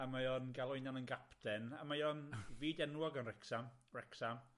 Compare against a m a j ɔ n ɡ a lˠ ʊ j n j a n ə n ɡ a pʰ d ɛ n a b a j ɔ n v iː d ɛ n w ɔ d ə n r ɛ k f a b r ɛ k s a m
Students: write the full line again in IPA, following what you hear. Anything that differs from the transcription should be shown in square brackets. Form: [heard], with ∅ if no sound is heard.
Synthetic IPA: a m a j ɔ n ɡ a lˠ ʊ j n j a n ə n ɡ a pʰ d ɛ n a [m] a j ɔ n v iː d ɛ n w ɔ [ɡ] ə n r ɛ k [s] a [m] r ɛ k s a m